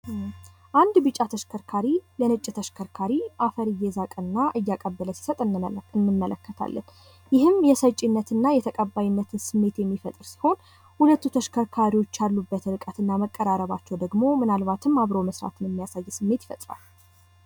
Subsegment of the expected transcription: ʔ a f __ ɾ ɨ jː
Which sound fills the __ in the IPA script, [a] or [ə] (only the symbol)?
ə